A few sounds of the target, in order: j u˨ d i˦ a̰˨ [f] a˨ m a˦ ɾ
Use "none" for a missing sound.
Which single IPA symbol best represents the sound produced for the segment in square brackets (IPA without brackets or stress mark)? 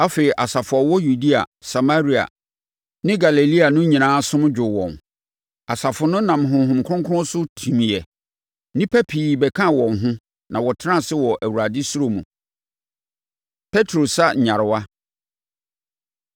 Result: s